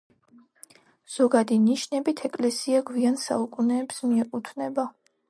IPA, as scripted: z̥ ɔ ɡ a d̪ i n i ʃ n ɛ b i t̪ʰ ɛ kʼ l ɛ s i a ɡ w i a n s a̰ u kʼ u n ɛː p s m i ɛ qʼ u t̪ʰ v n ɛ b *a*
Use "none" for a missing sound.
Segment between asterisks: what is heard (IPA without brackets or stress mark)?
a